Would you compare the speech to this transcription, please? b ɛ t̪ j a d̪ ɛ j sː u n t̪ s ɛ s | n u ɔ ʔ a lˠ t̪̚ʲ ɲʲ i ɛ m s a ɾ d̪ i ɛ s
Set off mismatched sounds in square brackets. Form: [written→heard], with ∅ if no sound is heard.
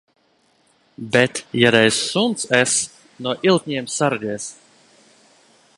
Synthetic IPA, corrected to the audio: b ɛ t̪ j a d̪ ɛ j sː u n t̪ s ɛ s | n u ɔ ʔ [a→i] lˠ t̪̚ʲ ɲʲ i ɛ m s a ɾ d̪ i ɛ s

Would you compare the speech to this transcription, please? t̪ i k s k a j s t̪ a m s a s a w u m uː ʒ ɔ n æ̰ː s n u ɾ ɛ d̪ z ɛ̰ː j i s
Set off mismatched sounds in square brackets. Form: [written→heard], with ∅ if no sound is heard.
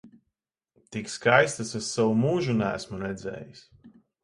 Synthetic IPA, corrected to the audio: t̪ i k s k a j s t̪ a [m→∅] s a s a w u m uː ʒ [ɔ→u] n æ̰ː s [n→m] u ɾ ɛ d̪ z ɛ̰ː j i s

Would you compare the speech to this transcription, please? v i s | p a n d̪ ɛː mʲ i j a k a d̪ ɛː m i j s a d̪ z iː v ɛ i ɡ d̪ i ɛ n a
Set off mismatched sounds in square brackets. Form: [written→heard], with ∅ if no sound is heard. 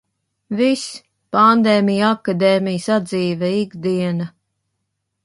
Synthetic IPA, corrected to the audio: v i s | p a n d̪ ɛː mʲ i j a k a d̪ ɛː m i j s a d̪ z iː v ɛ i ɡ d̪ i ɛ n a

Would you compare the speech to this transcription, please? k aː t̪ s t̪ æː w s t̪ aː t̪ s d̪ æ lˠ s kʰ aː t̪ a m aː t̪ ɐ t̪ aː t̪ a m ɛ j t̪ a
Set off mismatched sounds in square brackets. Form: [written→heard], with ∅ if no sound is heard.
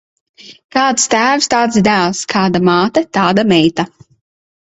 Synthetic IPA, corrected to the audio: k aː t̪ s t̪ æː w s t̪ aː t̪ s d̪ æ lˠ s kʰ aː [t̪→d̪] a m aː t̪ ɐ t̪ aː [t̪→d̪] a m ɛ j t̪ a

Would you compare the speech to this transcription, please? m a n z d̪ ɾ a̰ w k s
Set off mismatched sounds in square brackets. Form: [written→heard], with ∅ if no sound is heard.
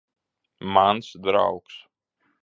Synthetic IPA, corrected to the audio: m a n [z→s] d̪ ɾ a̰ w k s

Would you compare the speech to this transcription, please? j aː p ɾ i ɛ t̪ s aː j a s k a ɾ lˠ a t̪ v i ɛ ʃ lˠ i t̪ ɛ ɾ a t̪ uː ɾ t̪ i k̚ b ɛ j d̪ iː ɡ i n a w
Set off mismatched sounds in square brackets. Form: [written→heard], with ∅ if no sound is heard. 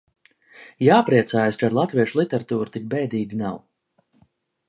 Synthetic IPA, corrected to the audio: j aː p ɾ i ɛ t̪ s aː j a s k a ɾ lˠ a t̪ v i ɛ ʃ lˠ i t̪ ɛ ɾ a t̪ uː ɾ t̪ i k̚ b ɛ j d̪ iː ɡ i n a w

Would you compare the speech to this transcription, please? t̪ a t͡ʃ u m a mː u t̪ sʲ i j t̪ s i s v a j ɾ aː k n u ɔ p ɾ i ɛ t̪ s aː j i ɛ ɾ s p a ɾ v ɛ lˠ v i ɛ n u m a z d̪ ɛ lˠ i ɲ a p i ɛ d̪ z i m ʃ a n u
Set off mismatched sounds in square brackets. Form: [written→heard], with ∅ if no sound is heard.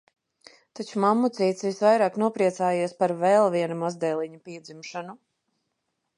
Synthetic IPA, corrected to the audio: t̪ a t͡ʃ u m a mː u t̪ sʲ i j t̪ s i s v a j ɾ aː k n u ɔ p ɾ i ɛ t̪ s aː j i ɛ [ɾ→∅] s p a ɾ v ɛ lˠ v i ɛ n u m a z d̪ ɛ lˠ i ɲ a p i ɛ d̪ z i m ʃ a n u

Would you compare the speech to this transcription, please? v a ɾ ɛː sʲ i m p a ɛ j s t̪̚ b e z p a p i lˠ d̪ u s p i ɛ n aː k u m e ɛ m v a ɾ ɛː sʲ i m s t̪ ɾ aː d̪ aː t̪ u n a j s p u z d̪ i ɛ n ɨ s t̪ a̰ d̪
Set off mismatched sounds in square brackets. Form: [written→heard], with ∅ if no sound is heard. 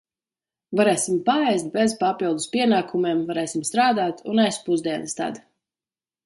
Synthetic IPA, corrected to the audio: v a ɾ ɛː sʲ i m p a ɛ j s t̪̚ b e z p a p i lˠ d̪ u s p i ɛ n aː k u m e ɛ m v a ɾ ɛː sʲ i m s t̪ ɾ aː d̪ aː t̪ u n a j s p u z d̪ i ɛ n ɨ s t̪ a̰ d̪

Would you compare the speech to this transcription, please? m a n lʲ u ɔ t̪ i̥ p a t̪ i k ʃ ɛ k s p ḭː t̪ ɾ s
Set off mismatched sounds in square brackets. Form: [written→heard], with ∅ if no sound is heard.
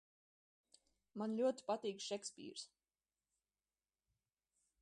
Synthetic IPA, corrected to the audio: m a n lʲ u ɔ t̪ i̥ p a t̪ [i→iː] k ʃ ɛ k s p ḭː [t̪→∅] ɾ s

